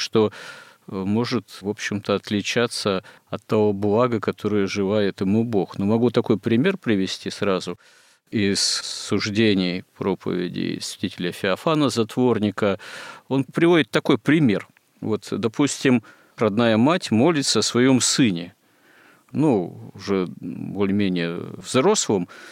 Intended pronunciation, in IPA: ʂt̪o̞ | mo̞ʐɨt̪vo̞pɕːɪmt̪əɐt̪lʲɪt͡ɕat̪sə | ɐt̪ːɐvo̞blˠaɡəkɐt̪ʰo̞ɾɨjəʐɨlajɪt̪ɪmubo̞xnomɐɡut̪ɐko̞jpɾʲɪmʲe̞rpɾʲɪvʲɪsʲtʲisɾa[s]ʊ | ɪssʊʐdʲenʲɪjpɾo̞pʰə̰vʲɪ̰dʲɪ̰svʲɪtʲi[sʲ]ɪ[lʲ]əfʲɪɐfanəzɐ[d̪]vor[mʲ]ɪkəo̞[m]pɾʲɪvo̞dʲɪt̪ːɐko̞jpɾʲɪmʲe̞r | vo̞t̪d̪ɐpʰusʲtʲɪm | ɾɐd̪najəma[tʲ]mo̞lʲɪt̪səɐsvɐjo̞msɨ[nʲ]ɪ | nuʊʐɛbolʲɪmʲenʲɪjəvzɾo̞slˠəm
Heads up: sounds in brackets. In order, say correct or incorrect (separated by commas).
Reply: incorrect, incorrect, correct, incorrect, incorrect, incorrect, correct, correct